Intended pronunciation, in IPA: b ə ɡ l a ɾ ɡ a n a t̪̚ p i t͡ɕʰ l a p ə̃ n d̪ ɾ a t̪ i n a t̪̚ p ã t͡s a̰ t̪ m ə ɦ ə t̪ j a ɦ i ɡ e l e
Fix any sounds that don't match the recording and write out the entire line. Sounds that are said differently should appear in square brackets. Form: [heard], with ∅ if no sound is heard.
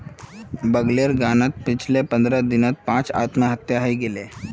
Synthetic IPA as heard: b ə ɡ l [e] ɾ ɡ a n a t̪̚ p i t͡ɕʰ l [e] p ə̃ n d̪ ɾ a [d̪] i n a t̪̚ p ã t͡s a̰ t̪ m ə ɦ ə t̪ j a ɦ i ɡ e l e